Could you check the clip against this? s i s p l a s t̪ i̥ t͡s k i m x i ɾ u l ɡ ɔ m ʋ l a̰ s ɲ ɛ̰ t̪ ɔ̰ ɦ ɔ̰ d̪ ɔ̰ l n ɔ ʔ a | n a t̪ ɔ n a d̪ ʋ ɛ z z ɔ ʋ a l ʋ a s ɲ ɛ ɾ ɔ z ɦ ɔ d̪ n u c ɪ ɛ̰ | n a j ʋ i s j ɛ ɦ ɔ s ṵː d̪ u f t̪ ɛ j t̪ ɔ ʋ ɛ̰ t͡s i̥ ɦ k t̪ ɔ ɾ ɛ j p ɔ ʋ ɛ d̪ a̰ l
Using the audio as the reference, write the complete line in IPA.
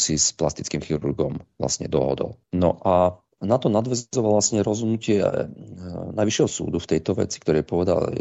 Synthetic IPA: s i s p l a s t̪ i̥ t͡s k i m x i ɾ u ɾ ɡ ɔ m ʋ l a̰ s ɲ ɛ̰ d̪ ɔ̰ ɦ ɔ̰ d̪ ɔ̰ l n ɔ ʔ a | n a t̪ ɔ n a d̪ ʋ ɛ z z ɔ ʋ a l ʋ a s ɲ ɛ ɾ ɔ z ɦ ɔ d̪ n u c ɪ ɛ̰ | n a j ʋ i ʃ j ɛ ɦ ɔ s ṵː d̪ u f t̪ ɛ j t̪ ɔ ʋ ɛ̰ t͡s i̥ k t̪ ɔ ɾ ɛ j p ɔ ʋ ɛ d̪ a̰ l